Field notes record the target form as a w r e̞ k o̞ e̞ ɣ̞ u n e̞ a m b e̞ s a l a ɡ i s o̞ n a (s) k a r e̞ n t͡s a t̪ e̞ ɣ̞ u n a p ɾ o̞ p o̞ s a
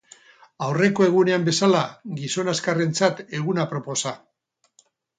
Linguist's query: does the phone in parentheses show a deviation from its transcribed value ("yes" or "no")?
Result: no